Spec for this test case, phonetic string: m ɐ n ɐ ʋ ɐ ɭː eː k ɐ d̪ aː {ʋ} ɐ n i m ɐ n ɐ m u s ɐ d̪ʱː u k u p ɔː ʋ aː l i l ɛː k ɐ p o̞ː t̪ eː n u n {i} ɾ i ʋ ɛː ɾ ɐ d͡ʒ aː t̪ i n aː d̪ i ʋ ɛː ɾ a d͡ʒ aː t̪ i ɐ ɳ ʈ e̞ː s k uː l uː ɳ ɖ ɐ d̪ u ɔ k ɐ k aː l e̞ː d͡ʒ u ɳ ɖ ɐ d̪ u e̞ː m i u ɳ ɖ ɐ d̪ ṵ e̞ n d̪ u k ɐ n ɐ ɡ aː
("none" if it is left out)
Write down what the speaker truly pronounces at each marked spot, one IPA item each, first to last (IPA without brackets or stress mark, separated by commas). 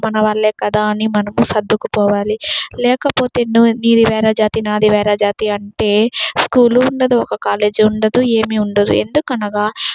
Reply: none, iː